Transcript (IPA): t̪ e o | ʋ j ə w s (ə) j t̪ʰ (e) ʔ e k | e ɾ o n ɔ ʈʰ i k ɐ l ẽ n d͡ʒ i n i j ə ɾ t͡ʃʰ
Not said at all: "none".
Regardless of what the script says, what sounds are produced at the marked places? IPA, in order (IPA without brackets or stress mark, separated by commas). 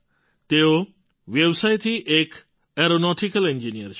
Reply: a, i